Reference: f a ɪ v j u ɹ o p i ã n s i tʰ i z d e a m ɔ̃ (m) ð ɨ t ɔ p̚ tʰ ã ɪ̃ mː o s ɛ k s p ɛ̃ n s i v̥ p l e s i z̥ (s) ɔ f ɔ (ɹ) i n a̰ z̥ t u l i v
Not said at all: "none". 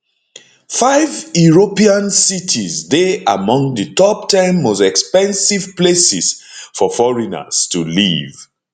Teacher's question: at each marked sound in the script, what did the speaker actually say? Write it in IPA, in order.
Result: ŋ, f, ɹ

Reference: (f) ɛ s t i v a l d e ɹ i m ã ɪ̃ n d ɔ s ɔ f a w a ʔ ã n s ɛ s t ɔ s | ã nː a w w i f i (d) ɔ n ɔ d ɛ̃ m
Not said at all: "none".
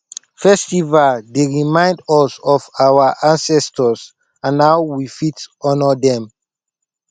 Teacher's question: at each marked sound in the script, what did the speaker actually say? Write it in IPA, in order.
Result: f, t

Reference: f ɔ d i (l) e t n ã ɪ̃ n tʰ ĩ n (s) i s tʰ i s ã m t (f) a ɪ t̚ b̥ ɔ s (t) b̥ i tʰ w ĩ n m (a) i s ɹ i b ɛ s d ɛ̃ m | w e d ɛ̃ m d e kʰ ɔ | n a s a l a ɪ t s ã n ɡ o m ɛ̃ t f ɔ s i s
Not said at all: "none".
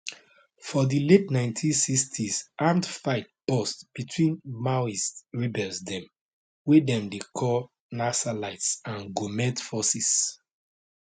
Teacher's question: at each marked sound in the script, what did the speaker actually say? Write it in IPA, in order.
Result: l, s, f, t, a

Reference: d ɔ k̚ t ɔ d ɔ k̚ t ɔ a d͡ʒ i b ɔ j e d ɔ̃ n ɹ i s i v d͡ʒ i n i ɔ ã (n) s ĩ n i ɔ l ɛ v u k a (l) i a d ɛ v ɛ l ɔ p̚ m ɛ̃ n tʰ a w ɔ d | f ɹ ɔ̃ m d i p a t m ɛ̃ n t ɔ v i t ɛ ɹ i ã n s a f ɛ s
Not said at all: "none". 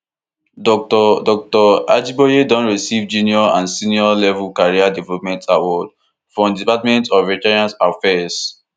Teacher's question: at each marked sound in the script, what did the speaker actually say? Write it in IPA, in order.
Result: n, ɹ

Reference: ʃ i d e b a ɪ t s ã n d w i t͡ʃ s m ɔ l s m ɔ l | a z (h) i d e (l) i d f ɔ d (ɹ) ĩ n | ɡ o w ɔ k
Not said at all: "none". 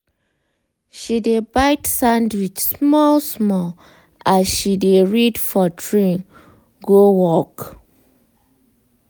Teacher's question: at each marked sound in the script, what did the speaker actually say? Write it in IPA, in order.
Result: ʃ, ɹ, ɹ

